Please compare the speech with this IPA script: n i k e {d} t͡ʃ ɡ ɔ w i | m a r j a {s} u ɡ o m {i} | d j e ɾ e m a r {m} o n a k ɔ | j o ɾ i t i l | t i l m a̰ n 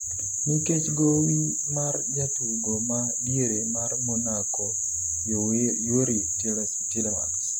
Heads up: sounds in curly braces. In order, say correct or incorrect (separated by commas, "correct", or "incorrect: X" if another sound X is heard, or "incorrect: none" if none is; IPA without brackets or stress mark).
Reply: incorrect: none, incorrect: t, incorrect: a, correct